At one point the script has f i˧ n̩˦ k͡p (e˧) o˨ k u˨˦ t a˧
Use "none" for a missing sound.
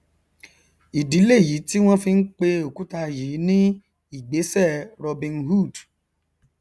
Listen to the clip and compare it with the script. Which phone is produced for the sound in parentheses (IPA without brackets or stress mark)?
e˧